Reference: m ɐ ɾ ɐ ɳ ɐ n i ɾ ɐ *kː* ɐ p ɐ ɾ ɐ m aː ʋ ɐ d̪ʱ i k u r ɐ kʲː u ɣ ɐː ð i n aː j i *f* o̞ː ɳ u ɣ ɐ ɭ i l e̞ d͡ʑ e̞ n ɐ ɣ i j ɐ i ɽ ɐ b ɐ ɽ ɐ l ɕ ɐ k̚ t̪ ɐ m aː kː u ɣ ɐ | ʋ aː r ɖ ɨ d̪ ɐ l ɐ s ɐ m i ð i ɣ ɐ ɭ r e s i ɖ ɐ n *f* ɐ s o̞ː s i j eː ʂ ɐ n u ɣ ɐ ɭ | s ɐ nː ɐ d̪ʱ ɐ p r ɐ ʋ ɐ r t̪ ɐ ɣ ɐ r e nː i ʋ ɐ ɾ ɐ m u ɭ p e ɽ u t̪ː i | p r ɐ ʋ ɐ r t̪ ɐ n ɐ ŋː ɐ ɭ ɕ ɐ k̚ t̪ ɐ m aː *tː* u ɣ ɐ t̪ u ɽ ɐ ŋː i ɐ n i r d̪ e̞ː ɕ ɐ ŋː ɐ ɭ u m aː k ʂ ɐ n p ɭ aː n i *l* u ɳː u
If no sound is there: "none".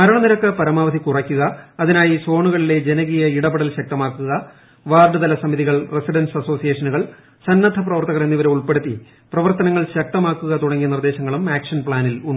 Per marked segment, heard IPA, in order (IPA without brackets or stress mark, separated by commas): kː, s, s, kː, l